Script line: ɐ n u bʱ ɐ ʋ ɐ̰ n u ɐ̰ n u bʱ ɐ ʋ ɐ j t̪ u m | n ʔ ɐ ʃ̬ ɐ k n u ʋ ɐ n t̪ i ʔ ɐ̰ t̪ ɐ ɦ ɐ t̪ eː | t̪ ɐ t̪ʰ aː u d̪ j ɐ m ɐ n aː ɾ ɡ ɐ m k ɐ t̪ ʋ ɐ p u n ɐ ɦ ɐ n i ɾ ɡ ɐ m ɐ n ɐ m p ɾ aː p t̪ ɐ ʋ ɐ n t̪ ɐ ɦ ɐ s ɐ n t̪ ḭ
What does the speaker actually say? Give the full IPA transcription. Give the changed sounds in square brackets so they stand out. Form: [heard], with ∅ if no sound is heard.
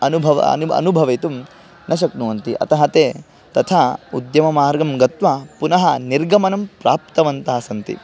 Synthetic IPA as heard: ɐ n u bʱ ɐ ʋ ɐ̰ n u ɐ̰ n u bʱ ɐ ʋ ɐ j t̪ u m | n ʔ ɐ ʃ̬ ɐ k n u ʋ ɐ n t̪ i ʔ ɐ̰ t̪ ɐ ɦ ɐ t̪ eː | t̪ ɐ t̪ʰ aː u d̪ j ɐ m ɐ [m] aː ɾ ɡ ɐ m [ɡ] ɐ t̪ ʋ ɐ p u n ɐ ɦ ɐ n i ɾ ɡ ɐ m ɐ n ɐ m p ɾ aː p t̪ ɐ ʋ ɐ n t̪ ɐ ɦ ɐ s ɐ n t̪ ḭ

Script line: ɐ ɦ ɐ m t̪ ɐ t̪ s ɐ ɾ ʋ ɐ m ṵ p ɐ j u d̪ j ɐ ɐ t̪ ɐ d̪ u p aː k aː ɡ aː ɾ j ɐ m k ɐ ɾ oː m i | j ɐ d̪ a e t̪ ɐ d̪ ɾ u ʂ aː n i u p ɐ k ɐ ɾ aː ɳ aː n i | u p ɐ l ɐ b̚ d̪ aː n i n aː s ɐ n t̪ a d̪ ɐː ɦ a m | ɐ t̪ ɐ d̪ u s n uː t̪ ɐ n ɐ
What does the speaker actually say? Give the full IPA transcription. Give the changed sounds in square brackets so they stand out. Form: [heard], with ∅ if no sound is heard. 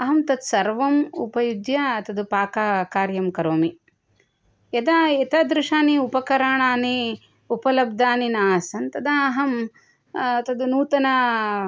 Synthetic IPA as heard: ɐ ɦ ɐ m t̪ ɐ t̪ s ɐ ɾ ʋ ɐ m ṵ p ɐ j u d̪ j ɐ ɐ t̪ ɐ d̪ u p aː k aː [k] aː ɾ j ɐ m k ɐ ɾ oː m i | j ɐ d̪ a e t̪ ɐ d̪ ɾ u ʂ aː n i u p ɐ k ɐ ɾ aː ɳ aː n i | u p ɐ l ɐ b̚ d̪ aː n i n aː s ɐ n t̪ [ɐ] d̪ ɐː ɦ [ɐ] m | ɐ t̪ ɐ d̪ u [∅] n uː t̪ ɐ n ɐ

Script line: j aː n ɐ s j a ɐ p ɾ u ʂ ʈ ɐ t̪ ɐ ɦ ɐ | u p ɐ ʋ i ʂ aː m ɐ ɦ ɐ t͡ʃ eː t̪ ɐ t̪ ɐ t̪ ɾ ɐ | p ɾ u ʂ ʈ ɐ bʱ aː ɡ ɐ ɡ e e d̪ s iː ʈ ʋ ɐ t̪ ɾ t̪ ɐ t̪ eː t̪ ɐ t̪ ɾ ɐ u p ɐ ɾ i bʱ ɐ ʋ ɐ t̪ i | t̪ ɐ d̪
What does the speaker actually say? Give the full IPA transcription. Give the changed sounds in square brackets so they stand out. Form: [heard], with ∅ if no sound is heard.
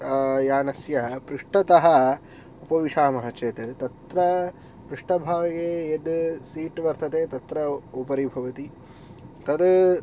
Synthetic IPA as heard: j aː n ɐ s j [ɐ] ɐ p ɾ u ʂ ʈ ɐ t̪ ɐ ɦ ɐ | u p ɐ ʋ i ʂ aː m ɐ ɦ ɐ t͡ʃ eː t̪ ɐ t̪ ɐ t̪ ɾ ɐ | p ɾ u ʂ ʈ ɐ bʱ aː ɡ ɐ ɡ e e d̪ s iː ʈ ʋ ɐ [∅] ɾ t̪ ɐ t̪ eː t̪ ɐ t̪ ɾ ɐ u p ɐ ɾ i bʱ ɐ ʋ ɐ t̪ i | t̪ ɐ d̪

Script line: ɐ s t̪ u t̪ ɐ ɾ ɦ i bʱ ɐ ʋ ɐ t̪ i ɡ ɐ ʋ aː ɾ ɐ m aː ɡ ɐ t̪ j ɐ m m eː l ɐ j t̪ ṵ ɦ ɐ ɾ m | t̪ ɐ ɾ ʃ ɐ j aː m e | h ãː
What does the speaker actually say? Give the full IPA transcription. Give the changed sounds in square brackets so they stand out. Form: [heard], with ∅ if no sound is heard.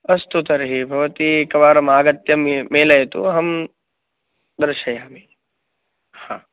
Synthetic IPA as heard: ɐ s t̪ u t̪ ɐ ɾ ɦ i bʱ ɐ ʋ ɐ t̪ i [k] ɐ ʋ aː ɾ ɐ m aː ɡ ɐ t̪ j ɐ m m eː l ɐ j t̪ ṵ ɦ ɐ [∅] m | [d̪] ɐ ɾ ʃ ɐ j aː m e | h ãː

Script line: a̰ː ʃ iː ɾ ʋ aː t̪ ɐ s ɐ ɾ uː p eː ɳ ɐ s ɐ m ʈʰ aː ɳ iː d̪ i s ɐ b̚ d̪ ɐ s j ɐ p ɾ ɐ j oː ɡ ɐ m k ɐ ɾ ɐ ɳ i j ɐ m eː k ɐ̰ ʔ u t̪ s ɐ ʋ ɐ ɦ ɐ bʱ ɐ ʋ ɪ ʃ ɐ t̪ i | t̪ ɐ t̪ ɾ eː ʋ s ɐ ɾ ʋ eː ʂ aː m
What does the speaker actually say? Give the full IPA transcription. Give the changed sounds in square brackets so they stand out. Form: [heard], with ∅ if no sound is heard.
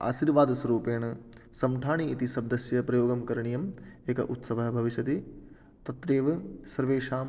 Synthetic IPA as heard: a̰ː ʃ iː ɾ ʋ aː [d̪] ɐ s ɐ ɾ uː p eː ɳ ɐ s ɐ m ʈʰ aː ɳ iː [t̪] i s ɐ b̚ d̪ ɐ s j ɐ p ɾ ɐ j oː ɡ ɐ m k ɐ ɾ ɐ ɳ i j ɐ m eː k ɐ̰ ʔ u t̪ s ɐ ʋ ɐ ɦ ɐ bʱ ɐ ʋ [i] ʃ ɐ t̪ i | t̪ ɐ t̪ ɾ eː ʋ s ɐ ɾ ʋ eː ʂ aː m

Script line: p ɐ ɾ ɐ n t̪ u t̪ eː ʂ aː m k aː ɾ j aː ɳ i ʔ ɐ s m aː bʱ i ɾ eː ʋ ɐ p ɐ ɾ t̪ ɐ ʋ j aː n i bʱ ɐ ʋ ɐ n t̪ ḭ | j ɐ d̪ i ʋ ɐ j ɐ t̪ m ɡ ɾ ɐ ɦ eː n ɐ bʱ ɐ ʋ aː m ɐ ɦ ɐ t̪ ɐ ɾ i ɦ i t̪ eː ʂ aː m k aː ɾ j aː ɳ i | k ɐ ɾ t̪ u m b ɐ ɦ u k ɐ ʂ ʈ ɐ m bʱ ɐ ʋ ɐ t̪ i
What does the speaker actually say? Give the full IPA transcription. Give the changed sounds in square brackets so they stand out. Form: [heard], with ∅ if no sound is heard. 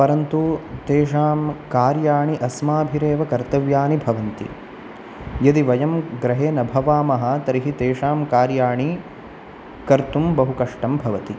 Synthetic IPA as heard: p ɐ ɾ ɐ n t̪ u t̪ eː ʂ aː m k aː ɾ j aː ɳ i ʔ ɐ s m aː bʱ i ɾ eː ʋ ɐ [k] ɐ ɾ t̪ ɐ ʋ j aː n i bʱ ɐ ʋ ɐ n t̪ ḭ | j ɐ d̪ i ʋ ɐ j ɐ [∅] m ɡ ɾ ɐ ɦ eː n ɐ bʱ ɐ ʋ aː m ɐ ɦ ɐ t̪ ɐ ɾ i ɦ i t̪ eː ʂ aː m k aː ɾ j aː ɳ i | k ɐ ɾ t̪ u m b ɐ ɦ u k ɐ ʂ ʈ ɐ m bʱ ɐ ʋ ɐ t̪ i

